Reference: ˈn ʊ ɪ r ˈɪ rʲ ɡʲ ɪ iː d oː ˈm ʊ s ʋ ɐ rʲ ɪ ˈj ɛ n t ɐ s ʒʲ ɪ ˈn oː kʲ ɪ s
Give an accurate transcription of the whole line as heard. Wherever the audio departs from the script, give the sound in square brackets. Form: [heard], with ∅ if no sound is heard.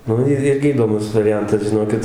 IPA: ˈn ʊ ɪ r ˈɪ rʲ ɡʲ ɪ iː d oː ˈm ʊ s ʋ ɐ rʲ ɪ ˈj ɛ n t ɐ s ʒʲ ɪ ˈn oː kʲ ɪ [t]